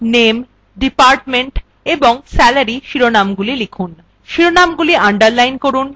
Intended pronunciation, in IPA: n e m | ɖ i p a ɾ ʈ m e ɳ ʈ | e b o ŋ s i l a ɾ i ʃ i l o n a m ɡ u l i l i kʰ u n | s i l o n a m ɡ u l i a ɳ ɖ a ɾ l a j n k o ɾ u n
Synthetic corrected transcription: n e m | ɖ i p a ɾ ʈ m e ɳ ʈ | e b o ŋ s ɛ l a ɾ i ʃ i ɾ o n a m ɡ u l i l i kʰ u n | ʃ i ɾ o n a m ɡ u l i a ɳ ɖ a ɾ l a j n k o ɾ u n